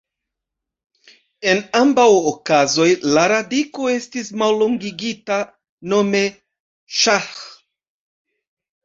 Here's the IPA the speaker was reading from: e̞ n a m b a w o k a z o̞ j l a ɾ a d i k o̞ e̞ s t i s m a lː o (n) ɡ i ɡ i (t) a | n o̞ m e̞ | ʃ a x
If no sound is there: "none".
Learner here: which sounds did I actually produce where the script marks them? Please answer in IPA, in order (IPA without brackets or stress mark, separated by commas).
ŋ, t